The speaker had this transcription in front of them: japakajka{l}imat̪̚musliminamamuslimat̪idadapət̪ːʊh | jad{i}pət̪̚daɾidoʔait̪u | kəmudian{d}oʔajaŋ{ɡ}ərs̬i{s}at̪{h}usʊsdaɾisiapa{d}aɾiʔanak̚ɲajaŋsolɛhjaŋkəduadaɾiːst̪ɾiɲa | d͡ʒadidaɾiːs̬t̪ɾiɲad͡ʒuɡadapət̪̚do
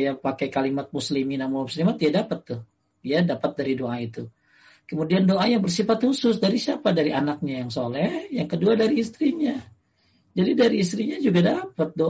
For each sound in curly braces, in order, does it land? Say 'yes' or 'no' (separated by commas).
yes, no, yes, no, no, yes, yes